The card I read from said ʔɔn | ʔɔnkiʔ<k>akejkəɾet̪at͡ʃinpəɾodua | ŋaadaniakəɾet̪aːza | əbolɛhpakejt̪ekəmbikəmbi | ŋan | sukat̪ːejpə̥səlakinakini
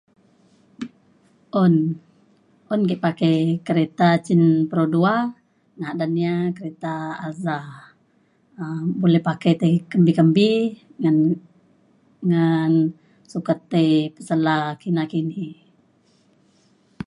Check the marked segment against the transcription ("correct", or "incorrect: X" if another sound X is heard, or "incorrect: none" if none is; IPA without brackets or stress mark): incorrect: p